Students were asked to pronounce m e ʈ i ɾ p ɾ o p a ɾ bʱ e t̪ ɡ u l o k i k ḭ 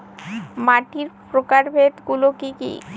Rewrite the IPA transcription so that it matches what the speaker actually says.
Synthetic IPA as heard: m a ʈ i ɾ p ɾ o k a ɾ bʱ e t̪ ɡ u l o k i k ḭ